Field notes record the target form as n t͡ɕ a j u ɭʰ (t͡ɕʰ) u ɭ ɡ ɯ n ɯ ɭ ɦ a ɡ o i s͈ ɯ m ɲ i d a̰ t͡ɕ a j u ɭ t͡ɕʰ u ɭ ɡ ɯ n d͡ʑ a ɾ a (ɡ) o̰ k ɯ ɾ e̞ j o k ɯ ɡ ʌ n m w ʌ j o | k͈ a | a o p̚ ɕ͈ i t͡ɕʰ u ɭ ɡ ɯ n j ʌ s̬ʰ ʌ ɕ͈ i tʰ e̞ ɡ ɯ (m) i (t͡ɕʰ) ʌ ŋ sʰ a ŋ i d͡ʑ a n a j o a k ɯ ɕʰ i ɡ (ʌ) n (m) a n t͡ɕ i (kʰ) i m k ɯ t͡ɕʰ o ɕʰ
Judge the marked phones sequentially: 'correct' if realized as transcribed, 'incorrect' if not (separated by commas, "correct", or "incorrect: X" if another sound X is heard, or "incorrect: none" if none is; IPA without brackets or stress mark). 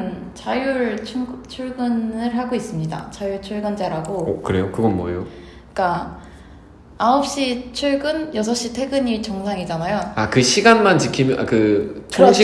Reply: correct, correct, incorrect: ɲ, incorrect: t͡ɕ, incorrect: a, correct, correct